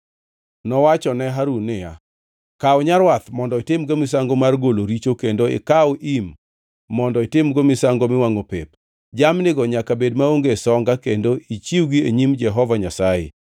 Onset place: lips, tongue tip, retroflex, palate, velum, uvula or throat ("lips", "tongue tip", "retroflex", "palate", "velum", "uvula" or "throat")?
tongue tip